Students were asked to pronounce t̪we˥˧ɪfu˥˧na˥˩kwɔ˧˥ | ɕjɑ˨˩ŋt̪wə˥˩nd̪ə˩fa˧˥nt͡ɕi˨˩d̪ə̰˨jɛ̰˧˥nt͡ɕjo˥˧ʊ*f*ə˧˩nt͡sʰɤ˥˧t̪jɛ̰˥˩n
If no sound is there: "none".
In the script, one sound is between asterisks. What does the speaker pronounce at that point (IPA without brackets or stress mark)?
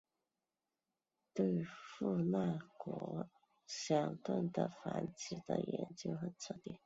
x